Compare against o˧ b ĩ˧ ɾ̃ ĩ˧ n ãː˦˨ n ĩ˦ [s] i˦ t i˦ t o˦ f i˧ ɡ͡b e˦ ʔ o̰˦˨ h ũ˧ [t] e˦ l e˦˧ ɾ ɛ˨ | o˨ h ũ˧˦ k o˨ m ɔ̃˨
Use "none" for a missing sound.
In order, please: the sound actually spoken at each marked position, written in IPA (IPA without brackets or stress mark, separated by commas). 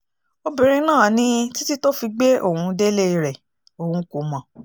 t, d